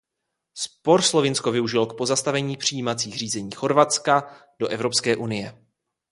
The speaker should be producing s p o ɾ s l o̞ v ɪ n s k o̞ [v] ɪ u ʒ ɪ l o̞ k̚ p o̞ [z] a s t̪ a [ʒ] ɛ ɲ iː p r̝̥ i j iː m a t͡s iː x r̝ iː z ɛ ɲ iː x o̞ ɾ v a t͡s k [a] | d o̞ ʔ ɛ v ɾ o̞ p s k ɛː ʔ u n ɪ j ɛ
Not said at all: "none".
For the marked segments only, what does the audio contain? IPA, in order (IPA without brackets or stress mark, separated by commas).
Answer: v, z, v, a